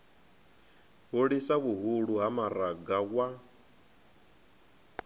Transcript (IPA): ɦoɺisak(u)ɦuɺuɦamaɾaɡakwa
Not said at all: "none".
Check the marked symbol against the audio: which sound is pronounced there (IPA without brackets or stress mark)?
u